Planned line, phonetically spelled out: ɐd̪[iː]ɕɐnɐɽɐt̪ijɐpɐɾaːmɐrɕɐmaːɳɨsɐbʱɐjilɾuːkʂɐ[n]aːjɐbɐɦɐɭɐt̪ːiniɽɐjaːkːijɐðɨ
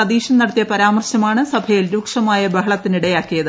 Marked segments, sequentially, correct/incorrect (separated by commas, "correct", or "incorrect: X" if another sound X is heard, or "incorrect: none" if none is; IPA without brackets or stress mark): correct, incorrect: m